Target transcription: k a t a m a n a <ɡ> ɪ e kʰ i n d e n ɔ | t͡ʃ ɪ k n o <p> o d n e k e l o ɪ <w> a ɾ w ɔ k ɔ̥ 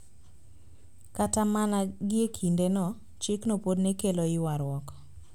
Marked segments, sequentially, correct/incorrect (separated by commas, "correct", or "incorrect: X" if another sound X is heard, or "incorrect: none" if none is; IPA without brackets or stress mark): correct, correct, correct